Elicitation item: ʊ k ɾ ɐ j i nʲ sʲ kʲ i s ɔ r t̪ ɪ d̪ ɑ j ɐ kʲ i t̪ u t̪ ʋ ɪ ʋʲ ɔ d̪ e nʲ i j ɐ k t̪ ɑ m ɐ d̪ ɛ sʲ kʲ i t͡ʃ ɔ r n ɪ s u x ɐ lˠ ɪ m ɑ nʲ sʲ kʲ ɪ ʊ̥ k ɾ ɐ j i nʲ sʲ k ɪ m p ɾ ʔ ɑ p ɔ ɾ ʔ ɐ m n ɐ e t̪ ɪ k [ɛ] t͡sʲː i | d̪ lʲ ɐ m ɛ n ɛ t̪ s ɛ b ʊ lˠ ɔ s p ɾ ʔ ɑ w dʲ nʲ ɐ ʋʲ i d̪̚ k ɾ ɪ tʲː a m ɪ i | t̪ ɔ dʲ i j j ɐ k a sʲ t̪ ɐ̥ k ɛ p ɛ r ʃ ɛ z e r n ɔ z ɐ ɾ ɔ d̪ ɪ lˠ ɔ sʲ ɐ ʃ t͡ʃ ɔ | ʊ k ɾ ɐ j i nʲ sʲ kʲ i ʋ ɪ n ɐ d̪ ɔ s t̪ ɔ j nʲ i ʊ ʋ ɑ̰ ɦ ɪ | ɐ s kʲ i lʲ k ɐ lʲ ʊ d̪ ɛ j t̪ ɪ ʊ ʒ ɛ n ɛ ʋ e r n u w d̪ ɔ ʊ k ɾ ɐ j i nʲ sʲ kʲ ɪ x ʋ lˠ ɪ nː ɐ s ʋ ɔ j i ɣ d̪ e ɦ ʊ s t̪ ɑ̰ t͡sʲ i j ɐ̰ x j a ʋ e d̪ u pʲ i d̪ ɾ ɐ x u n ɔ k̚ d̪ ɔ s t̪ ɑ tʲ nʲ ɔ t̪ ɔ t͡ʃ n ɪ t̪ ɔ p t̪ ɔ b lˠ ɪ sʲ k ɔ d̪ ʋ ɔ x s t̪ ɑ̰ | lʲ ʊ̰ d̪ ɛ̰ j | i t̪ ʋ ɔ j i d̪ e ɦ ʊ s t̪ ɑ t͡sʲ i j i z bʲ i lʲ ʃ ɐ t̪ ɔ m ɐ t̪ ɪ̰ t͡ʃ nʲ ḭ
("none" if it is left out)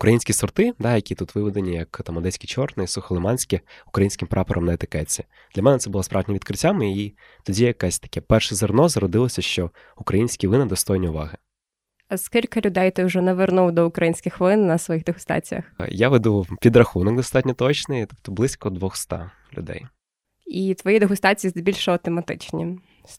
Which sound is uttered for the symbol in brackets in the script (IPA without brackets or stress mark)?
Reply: ɛ